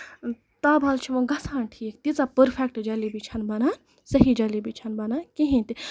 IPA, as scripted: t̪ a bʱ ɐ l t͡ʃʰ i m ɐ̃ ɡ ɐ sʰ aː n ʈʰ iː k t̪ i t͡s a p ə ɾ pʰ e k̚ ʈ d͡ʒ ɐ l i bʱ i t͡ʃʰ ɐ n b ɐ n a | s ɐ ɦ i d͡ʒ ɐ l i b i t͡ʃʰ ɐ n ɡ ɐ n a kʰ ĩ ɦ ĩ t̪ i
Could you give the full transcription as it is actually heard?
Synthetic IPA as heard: t̪ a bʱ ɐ l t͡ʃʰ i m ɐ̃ ɡ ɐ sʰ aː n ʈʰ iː k t̪ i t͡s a p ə ɾ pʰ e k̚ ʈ d͡ʒ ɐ l i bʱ i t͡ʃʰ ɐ n b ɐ n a | s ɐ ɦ i d͡ʒ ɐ l i b i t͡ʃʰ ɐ n b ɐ n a k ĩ ɦ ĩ t̪ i